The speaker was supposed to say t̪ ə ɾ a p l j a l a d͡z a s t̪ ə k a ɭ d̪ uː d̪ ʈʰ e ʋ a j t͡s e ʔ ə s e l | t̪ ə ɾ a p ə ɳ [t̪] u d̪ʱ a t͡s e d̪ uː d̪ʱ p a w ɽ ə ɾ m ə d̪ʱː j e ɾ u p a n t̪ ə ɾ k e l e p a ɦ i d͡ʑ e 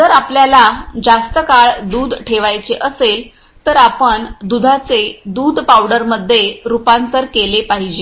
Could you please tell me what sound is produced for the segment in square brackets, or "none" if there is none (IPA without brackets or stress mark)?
d̪